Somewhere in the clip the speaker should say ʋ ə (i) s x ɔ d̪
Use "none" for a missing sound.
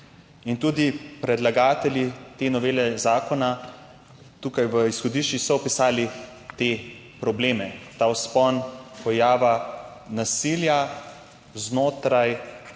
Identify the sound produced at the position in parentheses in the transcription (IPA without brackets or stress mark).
i